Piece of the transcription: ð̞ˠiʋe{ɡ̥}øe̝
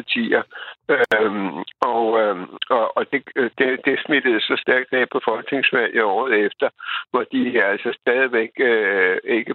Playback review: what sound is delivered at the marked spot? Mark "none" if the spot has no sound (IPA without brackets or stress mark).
ɡ̥